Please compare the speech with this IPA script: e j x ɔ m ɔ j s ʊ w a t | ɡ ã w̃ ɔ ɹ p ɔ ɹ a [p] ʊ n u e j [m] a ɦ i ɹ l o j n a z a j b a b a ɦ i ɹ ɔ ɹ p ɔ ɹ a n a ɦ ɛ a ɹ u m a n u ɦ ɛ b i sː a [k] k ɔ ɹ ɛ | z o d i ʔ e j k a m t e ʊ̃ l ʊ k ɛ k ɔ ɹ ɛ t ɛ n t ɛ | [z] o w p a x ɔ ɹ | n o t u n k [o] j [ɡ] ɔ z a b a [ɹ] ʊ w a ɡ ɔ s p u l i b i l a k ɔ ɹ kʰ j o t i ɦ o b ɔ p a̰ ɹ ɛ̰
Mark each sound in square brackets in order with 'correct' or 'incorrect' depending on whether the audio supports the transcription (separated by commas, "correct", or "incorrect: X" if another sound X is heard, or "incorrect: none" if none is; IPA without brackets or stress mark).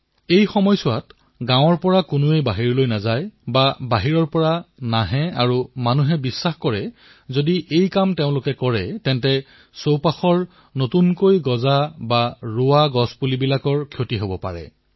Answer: incorrect: k, incorrect: b, incorrect: x, incorrect: s, correct, correct, correct